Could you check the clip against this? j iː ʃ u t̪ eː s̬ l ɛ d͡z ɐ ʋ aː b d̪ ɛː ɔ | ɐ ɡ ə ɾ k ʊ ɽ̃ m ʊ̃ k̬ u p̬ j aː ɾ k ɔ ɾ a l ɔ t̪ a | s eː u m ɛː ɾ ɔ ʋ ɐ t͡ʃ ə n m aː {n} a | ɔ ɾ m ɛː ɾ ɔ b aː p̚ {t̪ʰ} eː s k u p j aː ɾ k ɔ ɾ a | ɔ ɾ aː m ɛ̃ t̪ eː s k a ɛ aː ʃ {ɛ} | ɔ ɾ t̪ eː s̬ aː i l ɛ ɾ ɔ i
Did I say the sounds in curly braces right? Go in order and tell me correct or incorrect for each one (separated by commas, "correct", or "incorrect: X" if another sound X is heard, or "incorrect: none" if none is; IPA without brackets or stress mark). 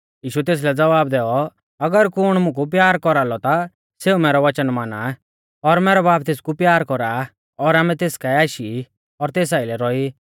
correct, incorrect: t̪, incorrect: i